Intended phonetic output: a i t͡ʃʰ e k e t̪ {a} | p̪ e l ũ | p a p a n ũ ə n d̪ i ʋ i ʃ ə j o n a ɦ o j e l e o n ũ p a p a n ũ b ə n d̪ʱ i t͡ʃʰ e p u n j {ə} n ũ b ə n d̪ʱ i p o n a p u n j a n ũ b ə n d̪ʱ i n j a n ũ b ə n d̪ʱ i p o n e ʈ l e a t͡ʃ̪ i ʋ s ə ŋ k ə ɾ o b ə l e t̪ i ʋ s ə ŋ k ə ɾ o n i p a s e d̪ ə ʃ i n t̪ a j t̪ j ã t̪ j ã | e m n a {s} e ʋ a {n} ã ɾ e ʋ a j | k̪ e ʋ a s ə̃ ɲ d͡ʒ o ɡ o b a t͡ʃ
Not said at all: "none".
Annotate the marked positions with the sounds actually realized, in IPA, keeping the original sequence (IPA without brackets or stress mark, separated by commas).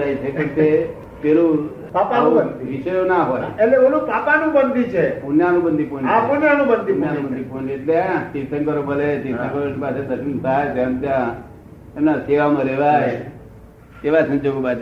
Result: e, a, s, m